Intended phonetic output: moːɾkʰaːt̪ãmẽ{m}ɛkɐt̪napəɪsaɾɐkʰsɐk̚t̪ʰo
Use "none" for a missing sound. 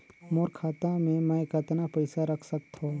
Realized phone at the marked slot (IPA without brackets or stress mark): m